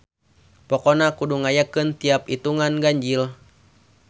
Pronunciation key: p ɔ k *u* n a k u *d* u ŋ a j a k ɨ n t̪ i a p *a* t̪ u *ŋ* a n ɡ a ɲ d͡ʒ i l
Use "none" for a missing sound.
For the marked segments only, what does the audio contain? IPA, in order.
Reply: ɔ, d, i, ŋ

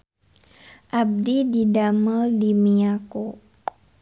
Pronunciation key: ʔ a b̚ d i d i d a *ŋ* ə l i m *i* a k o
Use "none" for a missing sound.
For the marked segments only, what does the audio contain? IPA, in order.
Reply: m, i

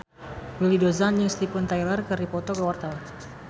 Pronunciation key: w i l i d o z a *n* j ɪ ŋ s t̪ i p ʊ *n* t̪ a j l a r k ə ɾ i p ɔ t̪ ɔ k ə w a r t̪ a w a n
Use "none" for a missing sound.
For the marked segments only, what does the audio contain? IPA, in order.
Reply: n, n

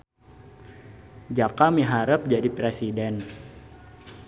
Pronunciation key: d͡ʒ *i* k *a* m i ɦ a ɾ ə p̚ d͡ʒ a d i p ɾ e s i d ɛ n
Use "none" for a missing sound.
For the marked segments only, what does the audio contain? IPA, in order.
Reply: a, a

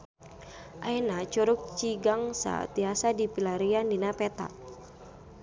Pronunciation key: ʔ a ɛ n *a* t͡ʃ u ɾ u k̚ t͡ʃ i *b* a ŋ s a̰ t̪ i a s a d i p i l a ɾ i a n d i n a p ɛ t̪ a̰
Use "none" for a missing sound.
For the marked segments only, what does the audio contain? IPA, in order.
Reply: a, ɡ

